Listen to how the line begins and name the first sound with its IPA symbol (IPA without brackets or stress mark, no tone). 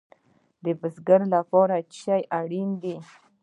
d̪